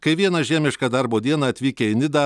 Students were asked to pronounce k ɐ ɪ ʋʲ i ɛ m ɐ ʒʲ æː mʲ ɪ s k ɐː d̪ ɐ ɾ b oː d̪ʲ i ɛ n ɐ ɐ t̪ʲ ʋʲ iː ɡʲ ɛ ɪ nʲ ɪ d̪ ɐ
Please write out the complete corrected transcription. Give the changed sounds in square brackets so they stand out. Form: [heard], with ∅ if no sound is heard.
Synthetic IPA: k ɐ ɪ ʋʲ i ɛ [n] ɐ ʒʲ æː mʲ ɪ [ʃ] k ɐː d̪ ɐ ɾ b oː d̪ʲ i ɛ n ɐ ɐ t̪ʲ ʋʲ iː [kʲ] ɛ ɪ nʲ ɪ d̪ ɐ